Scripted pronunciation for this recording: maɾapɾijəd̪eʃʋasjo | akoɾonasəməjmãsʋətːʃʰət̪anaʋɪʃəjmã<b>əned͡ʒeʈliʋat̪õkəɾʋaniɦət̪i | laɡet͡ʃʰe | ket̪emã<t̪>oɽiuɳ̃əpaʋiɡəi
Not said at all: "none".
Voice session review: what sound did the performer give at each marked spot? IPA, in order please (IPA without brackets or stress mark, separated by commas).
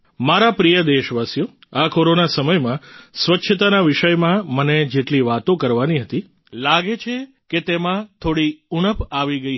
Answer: m, t̪ʰ